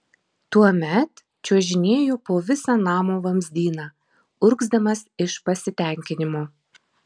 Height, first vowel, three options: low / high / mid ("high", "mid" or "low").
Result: high